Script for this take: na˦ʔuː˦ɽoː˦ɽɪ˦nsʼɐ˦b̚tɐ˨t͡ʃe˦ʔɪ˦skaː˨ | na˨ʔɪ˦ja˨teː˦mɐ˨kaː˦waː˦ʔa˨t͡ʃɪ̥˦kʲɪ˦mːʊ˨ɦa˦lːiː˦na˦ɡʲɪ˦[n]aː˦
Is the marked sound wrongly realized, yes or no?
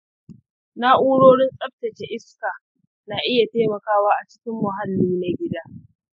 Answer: yes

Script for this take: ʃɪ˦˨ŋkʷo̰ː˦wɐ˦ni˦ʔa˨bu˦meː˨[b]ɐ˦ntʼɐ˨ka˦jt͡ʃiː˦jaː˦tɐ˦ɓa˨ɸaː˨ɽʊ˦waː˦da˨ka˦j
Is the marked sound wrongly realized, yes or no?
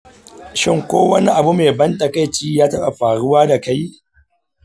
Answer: no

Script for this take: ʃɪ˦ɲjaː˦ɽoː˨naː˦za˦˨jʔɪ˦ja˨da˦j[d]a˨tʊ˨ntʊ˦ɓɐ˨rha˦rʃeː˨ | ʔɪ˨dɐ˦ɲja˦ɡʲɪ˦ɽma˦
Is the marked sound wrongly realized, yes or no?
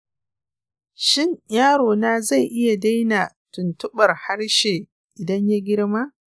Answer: yes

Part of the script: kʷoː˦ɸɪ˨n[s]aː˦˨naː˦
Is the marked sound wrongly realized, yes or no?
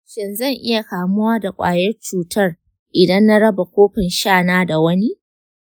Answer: yes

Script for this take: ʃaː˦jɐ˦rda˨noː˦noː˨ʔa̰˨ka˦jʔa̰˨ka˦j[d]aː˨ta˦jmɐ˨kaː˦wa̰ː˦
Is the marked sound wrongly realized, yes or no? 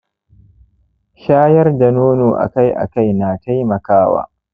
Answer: yes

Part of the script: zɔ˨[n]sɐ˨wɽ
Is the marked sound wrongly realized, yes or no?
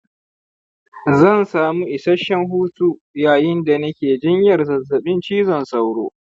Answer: no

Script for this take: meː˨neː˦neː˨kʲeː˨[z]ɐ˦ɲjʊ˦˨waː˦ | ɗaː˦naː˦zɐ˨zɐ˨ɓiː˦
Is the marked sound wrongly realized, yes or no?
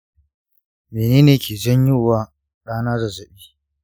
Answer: no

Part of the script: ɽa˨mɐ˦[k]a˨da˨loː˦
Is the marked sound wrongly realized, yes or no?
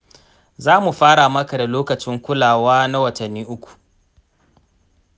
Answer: no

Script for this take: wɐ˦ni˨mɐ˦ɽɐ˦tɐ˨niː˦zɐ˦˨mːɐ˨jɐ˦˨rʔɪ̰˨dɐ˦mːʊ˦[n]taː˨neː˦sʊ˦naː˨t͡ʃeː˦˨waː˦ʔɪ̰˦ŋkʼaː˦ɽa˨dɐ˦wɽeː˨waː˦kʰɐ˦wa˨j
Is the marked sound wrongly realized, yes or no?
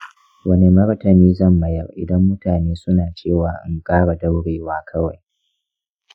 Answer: yes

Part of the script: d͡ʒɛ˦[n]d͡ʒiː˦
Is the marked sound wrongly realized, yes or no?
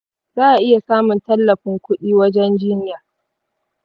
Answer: no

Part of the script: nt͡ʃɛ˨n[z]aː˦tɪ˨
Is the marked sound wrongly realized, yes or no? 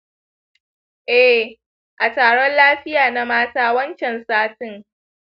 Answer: yes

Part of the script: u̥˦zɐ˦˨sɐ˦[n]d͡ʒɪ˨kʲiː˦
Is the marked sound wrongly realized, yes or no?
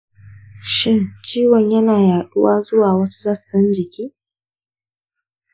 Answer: no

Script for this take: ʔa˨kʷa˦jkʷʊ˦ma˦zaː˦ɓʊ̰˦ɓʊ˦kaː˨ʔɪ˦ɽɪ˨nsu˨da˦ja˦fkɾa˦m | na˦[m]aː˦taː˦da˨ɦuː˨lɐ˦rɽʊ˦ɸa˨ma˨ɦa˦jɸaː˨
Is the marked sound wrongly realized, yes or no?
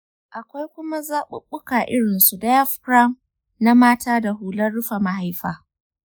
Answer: no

